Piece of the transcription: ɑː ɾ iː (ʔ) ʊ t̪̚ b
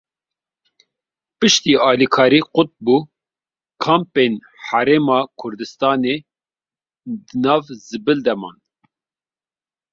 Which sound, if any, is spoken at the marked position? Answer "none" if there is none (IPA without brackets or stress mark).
q